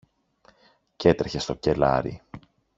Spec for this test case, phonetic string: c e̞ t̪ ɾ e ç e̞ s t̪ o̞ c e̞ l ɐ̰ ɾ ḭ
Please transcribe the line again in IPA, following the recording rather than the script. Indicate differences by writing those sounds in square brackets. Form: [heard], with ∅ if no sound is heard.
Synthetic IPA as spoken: c e̞ t̪ ɾ e ç e̞ s t̪ o̞ c e̞ l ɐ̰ ɾ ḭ